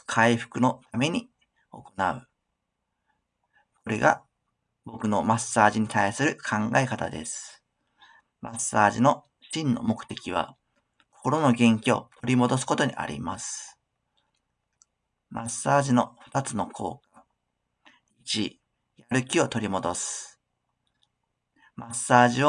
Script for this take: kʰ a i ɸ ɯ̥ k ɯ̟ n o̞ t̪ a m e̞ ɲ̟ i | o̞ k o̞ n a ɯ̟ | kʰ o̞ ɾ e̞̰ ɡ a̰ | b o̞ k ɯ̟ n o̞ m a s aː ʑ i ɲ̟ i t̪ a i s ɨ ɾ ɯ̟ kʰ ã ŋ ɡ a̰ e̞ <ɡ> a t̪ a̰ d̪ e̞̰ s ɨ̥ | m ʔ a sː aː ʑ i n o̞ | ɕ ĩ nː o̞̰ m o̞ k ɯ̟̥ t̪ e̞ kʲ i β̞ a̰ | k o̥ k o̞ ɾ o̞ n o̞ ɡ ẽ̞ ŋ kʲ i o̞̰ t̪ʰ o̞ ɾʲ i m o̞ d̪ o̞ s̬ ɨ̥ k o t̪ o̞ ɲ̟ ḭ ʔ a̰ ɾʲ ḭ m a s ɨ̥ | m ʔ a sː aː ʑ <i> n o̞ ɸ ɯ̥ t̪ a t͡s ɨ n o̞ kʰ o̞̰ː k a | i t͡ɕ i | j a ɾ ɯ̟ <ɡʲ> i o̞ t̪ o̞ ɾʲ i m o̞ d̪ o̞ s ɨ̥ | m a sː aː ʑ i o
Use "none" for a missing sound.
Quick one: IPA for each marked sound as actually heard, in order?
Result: k, i, kʲ

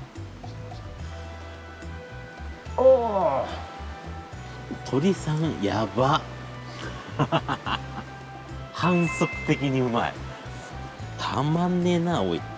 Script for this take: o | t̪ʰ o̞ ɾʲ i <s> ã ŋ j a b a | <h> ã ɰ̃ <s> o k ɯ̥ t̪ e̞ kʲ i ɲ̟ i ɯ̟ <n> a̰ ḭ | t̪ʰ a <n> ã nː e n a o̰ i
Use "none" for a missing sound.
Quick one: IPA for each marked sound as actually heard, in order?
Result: s, h, s, m, m

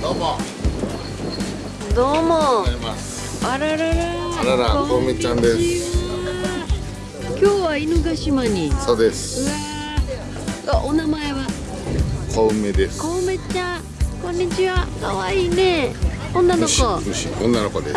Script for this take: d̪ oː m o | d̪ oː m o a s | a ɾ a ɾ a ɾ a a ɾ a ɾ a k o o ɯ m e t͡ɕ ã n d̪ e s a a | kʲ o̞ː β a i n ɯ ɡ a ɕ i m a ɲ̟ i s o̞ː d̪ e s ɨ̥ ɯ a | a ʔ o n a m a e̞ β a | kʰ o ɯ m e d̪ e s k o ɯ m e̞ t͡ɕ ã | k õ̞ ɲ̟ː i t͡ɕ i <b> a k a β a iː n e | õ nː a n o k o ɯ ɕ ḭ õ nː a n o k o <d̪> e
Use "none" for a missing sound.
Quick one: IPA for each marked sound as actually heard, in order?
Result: β, d̪

